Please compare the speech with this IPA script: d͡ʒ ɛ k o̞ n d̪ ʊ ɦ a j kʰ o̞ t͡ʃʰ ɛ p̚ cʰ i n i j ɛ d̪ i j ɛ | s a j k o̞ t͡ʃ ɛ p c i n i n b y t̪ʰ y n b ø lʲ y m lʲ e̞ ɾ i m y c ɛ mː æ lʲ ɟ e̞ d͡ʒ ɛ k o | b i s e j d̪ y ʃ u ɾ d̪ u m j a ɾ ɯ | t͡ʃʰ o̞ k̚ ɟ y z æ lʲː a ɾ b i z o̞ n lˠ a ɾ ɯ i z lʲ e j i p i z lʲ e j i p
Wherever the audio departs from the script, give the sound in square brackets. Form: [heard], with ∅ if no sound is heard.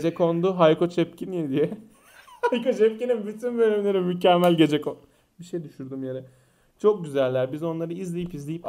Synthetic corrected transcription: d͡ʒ ɛ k o̞ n d̪ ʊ ɦ a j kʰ o̞ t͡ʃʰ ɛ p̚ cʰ i n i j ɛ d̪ i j ɛ | [h] a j k o̞ t͡ʃ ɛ p c i n i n b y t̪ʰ y n b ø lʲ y m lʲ e̞ ɾ i m y c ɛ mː æ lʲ ɟ e̞ d͡ʒ ɛ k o | b i [ʃ] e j d̪ y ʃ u ɾ d̪ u m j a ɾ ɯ | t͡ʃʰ o̞ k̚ ɟ y z æ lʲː [æ] ɾ b i z o̞ n lˠ a ɾ ɯ i z lʲ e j i p i z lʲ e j i p